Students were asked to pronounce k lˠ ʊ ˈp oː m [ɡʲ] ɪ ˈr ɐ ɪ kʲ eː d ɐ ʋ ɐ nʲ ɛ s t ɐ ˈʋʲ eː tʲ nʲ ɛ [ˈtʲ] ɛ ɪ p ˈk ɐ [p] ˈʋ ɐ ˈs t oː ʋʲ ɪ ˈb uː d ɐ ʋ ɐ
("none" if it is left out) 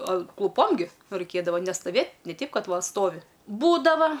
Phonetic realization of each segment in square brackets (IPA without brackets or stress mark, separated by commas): ɡʲ, tʲ, t